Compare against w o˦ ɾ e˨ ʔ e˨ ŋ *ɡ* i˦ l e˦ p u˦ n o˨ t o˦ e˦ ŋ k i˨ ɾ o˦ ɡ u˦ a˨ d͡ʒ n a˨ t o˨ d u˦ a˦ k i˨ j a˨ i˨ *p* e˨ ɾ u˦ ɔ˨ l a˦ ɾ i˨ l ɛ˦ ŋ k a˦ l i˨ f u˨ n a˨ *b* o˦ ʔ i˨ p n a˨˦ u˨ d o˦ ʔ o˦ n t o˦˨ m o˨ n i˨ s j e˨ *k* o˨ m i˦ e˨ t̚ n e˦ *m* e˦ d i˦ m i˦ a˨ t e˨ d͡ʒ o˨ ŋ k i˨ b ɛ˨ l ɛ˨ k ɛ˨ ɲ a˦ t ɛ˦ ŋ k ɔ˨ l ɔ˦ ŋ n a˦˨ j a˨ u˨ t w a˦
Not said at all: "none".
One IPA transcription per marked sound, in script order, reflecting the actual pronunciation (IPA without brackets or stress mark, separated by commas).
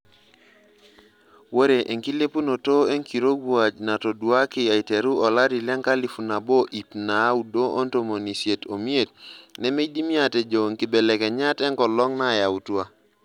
k, t, b, t, m